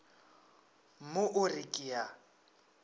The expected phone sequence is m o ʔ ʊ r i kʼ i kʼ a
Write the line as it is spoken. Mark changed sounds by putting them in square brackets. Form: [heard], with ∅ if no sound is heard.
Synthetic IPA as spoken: m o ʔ ʊ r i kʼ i [∅] a